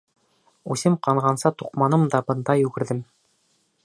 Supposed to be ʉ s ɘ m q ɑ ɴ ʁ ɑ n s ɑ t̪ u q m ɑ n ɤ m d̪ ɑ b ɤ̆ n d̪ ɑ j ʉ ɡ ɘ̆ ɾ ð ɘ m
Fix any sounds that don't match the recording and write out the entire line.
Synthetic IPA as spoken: ʉ s ɘ m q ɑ ɴ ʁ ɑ n s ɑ t̪ u q m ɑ n ɤ m d̪ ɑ b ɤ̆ n d̪ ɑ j ʉ ɡ ɘ̆ ɾ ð ɘ m

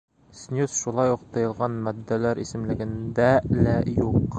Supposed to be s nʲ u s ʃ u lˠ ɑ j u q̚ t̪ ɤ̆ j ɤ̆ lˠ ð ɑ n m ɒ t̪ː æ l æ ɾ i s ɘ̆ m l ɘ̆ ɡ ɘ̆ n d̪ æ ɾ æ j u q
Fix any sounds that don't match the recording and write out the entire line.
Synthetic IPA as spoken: s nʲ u s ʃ u lˠ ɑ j u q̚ t̪ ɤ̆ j ɤ̆ lˠ ʁ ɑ n m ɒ d̪ː æ l æ ɾ i s ɘ̆ m l ɘ̆ ɡ ɘ̆ n d̪ æ l æ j u q

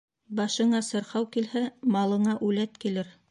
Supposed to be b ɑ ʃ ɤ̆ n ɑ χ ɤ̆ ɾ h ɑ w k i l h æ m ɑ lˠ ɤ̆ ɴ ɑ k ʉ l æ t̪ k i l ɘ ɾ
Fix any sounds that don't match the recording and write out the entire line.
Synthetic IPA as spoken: b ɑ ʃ ɤ̆ ɴ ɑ s ɤ̆ ɾ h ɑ w k i l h æ m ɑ lˠ ɤ̆ ɴ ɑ ʔ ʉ l æ t̪ k i l ɘ ɾ

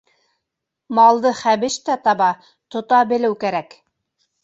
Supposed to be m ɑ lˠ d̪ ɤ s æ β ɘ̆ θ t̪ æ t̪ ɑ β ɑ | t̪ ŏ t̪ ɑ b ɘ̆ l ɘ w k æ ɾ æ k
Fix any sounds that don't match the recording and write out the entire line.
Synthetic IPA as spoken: m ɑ lˠ d̪ ɤ χ æ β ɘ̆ ʃ t̪ æ t̪ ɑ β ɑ | t̪ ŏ t̪ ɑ b ɘ̆ l ɘ w k æ ɾ æ k

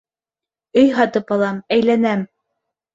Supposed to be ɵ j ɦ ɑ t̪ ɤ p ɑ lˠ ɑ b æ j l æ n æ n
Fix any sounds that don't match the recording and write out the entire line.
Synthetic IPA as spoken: ɵ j ɦ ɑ t̪ ɤ p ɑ lˠ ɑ m æ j l æ n æ m

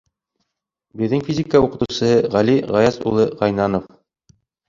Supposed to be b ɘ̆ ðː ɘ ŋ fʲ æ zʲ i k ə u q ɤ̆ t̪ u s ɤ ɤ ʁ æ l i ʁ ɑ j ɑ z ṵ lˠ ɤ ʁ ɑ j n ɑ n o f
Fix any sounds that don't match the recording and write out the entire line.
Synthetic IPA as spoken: b ɘ̆ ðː ɘ ŋ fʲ i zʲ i k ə u q ɤ̆ t̪ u s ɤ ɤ ʁ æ l i ʁ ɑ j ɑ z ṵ lˠ ɤ ʁ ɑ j n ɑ n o f

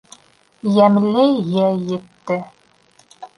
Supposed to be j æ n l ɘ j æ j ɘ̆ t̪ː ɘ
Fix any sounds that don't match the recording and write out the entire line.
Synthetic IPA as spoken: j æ m l ɘ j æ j ɘ̆ t̪ː ɘ

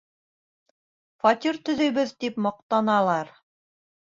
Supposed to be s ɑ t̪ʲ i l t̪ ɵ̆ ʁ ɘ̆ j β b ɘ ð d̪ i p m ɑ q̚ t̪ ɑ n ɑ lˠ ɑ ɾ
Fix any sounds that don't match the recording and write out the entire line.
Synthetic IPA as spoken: f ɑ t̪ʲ i ɾ t̪ ɵ̆ ð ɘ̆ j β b ɘ ð t̪ i p m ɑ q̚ t̪ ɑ n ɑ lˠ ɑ ɾ

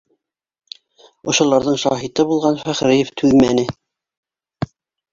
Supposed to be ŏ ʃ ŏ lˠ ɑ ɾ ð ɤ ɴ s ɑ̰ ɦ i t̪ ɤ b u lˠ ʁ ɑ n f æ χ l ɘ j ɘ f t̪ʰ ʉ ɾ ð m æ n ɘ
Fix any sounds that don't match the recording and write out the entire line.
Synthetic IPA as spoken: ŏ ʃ ŏ lˠ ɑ ɾ ð ɤ ɴ ʃ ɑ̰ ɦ i t̪ ɤ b u lˠ ʁ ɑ n f æ χ ɾ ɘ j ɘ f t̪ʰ ʉ ð m æ n ɘ

